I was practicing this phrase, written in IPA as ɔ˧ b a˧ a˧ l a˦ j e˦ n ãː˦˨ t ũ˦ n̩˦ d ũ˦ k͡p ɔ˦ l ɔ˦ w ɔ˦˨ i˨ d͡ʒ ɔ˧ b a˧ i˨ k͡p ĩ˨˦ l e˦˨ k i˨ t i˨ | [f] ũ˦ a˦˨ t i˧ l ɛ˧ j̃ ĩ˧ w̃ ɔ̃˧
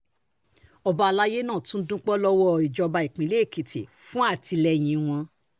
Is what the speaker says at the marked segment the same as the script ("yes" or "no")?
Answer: yes